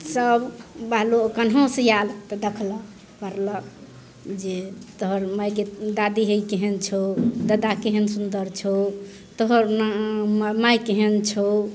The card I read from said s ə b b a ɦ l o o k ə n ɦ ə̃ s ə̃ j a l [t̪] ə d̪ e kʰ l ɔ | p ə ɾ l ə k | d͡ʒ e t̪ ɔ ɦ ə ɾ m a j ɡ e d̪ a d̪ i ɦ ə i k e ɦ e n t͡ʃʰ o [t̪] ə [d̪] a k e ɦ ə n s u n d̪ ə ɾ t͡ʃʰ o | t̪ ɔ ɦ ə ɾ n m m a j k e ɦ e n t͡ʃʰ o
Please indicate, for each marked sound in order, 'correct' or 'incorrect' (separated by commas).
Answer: correct, incorrect, correct